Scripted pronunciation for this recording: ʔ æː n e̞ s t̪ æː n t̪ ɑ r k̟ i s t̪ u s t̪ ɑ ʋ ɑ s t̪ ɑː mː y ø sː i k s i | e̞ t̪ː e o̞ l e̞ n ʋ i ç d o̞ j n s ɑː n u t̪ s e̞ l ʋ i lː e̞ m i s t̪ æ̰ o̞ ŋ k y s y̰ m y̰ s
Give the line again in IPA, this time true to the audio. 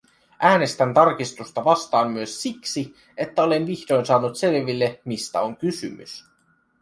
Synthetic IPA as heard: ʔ æː n e̞ s t̪ æ n t̪ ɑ r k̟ i s t̪ u s t̪ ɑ ʋ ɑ s t̪ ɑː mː y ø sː i k s i | e̞ t̪ː æ o̞ l e̞ n ʋ i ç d o̞ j n s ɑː n u t̪ s e̞ l ʋ i lː e̞ m i s t̪ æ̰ o̞ ŋ k y s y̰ m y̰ s